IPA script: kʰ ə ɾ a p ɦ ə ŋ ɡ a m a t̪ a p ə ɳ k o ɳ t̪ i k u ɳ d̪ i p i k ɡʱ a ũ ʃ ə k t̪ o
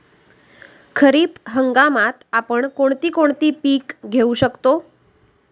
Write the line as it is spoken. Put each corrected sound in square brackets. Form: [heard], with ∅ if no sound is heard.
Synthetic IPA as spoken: kʰ ə ɾ [i] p ɦ ə ŋ ɡ a m a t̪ a p ə ɳ k o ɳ t̪ i k [o] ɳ [t̪] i p i k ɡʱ [e] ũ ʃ ə k t̪ o